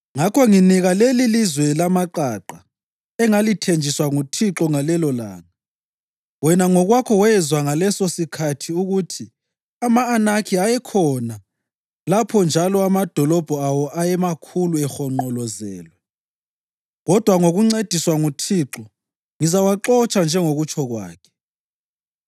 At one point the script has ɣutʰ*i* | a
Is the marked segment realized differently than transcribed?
no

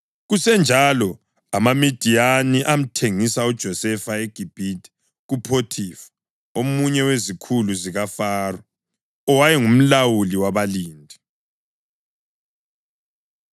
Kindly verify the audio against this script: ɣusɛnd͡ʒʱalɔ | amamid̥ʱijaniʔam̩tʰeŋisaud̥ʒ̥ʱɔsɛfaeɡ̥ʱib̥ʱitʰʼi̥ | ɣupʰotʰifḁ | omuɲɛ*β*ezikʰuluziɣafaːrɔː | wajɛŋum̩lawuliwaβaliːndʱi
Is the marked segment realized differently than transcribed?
yes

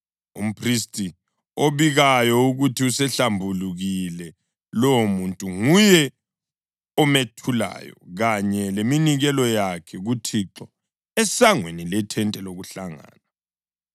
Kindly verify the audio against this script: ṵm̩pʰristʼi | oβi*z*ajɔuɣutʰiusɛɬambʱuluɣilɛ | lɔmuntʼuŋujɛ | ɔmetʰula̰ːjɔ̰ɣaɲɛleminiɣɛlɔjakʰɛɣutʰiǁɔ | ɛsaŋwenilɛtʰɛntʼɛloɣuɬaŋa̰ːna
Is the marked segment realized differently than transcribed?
yes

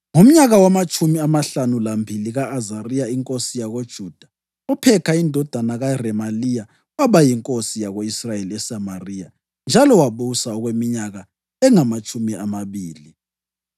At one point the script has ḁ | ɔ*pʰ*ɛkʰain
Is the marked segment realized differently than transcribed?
no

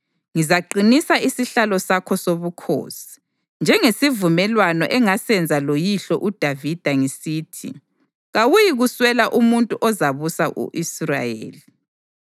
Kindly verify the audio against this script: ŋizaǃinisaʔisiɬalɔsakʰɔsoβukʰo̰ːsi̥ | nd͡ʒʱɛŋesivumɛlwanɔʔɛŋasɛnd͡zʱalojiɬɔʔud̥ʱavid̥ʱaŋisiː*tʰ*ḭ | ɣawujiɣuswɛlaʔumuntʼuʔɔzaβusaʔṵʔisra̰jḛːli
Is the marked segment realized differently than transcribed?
no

